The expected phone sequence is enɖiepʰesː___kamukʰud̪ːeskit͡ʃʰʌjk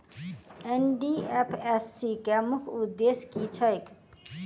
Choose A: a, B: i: B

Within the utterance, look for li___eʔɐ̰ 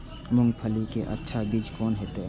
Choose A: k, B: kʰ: A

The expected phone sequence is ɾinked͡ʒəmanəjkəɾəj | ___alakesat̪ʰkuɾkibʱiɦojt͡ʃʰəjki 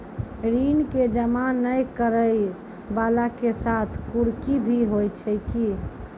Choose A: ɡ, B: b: B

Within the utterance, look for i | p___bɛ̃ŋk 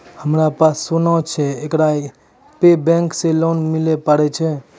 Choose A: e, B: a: A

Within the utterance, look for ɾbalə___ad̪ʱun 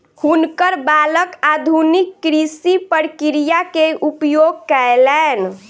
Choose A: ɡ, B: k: B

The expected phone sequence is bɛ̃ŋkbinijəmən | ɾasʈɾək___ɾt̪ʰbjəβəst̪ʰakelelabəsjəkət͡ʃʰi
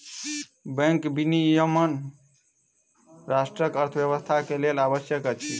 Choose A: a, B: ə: B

